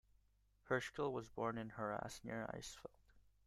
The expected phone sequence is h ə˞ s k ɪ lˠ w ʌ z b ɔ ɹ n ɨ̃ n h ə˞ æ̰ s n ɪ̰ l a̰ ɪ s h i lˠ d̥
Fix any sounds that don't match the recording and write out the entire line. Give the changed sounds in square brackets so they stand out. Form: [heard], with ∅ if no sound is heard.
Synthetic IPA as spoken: h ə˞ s k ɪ lˠ w ʌ z b ɔ ɹ n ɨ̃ n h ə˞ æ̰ s n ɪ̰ [ɹ] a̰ ɪ s [f] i lˠ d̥